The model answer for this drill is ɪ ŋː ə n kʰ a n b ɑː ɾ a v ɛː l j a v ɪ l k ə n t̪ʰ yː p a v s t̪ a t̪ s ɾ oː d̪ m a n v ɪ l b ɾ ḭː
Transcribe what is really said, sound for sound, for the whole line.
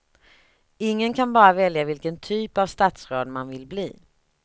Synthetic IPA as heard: ɪ ŋː ə n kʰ a n b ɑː ɾ a v ɛ l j a v ɪ l k ə n t̪ʰ yː p a v s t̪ a t̪ s ɾ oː d̪ m a n v ɪ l b l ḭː